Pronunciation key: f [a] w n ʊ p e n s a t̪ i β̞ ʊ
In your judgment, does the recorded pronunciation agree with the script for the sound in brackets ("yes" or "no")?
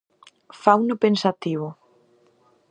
yes